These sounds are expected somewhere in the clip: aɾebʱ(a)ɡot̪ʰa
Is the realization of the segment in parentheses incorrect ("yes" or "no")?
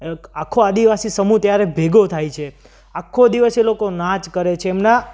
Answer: yes